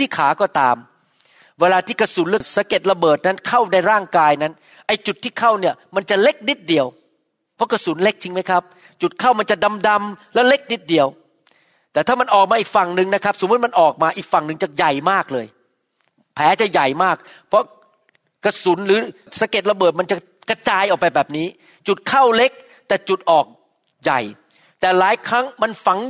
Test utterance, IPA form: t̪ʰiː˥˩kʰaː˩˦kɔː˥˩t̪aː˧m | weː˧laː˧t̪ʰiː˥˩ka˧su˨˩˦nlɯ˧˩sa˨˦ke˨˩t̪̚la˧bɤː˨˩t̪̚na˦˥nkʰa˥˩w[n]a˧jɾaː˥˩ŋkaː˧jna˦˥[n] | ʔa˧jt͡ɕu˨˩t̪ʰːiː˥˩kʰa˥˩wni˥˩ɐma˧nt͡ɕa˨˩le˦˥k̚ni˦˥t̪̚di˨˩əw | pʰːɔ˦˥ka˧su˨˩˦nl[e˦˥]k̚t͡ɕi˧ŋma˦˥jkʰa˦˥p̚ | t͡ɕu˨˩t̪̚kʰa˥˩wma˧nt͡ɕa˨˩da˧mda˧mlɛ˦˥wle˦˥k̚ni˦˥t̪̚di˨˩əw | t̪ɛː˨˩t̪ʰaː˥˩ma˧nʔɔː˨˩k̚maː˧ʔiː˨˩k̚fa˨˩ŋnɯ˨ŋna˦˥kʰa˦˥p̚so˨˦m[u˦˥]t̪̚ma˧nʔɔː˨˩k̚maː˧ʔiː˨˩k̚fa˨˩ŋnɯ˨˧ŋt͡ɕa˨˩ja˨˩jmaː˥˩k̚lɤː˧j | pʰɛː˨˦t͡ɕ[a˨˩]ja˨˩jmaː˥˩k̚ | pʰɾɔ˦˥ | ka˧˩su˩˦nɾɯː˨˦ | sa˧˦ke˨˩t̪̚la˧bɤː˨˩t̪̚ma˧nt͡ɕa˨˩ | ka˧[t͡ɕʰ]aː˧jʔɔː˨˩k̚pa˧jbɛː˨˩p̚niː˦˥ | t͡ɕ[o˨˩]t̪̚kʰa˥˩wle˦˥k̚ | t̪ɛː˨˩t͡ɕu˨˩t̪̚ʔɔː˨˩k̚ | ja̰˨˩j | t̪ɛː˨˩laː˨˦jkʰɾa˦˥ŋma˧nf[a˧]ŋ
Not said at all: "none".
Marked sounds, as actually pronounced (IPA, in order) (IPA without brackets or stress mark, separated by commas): n, n, e˦˥, u˦˥, a˨˩, t͡ɕ, u˨˩, a˩˦